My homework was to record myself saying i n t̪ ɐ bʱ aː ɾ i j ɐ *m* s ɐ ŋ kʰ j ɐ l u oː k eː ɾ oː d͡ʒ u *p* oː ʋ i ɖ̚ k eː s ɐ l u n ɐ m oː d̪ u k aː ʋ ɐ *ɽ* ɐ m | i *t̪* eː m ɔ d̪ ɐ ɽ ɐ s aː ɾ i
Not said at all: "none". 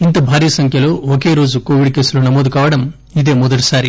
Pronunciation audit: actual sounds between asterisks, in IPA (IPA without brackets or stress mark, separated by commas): none, k, ɽ, d̪